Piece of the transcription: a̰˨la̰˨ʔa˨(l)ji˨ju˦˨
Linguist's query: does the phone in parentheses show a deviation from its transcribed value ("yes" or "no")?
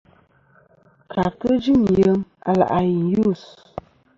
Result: yes